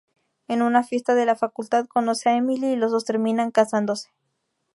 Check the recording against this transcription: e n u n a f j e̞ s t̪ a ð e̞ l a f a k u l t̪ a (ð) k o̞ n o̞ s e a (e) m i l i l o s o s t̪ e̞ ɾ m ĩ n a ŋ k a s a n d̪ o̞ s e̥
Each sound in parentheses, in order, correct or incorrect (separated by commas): correct, correct